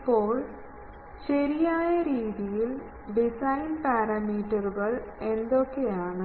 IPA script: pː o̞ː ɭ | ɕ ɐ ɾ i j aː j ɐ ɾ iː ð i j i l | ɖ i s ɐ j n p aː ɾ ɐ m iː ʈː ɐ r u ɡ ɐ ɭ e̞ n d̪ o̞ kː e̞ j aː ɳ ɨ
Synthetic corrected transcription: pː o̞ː ɭ | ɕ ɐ ɾ i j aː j ɐ ɾ iː ð i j i l | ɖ i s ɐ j n p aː ɾ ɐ m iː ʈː ɐ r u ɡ ɐ ɭ e̞ n d̪ o̞ kː e̞ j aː ɳ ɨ

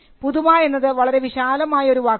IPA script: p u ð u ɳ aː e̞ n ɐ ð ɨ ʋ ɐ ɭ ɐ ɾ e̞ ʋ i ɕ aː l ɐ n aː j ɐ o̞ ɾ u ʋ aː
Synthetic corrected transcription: p u ð u m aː e̞ nː ɐ ð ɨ ʋ ɐ ɭ ɐ ɾ e̞ ʋ i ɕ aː l ɐ m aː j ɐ o̞ ɾ u ʋ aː

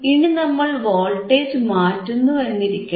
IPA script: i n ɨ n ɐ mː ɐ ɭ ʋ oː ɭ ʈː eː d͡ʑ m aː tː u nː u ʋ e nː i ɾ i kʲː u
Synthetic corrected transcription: i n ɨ n ɐ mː ɐ ɭ ʋ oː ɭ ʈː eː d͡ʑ m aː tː u nː u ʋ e nː i ɾ i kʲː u

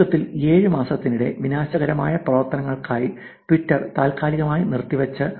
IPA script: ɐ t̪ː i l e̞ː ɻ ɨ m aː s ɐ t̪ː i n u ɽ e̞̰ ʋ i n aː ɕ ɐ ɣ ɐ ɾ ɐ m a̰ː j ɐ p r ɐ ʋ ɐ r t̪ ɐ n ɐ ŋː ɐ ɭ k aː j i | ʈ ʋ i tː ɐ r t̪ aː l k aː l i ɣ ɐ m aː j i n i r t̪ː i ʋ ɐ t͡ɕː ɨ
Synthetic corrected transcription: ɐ t̪ː i l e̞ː ɻ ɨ m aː s ɐ t̪ː i n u ɽ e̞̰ ʋ i n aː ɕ ɐ ɣ ɐ ɾ ɐ m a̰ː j ɐ p r ɐ ʋ ɐ r t̪ ɐ n ɐ ŋː ɐ ɭ k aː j i | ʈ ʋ i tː ɐ r t̪ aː l k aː l i ɣ ɐ m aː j i n i r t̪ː i ʋ ɐ t͡ɕː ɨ

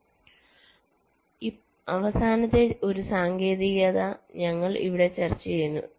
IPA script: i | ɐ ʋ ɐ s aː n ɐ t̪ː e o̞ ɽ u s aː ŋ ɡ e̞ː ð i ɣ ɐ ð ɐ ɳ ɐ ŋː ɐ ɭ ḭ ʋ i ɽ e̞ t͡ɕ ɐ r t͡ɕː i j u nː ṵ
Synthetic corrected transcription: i | ɐ ʋ ɐ s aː n ɐ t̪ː e o̞ ɾ u s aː ŋ ɡ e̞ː ð i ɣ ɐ ð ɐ ɲ ɐ ŋː ɐ ɭ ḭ ʋ i ɽ e̞ t͡ɕ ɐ r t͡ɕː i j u nː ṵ

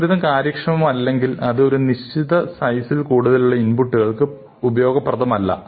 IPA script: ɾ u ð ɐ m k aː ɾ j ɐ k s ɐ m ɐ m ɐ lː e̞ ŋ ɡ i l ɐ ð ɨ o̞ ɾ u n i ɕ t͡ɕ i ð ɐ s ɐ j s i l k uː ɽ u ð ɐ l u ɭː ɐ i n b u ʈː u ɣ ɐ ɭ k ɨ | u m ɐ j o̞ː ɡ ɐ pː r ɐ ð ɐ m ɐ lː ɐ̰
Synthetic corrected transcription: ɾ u ð ɐ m k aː ɾ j ɐ k ʂ ɐ m ɐ m ɐ lː e̞ ŋ ɡ i l ɐ ð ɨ o̞ ɾ u n i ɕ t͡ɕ i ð ɐ s ɐ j s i l k uː ɽ u ð ɐ l u ɭː ɐ i n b u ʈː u ɣ ɐ ɭ k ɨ | u b ɐ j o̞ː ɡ ɐ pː r ɐ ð ɐ m ɐ lː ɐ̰

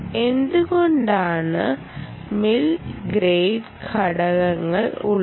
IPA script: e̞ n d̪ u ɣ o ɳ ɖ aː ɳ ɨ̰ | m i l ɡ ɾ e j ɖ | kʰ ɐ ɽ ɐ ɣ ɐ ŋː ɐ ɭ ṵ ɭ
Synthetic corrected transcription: e̞ n d̪ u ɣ o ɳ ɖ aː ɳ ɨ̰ | m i l ɡ ɾ e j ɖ | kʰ ɐ ɽ ɐ ɣ ɐ ŋː ɐ ɭ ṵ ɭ

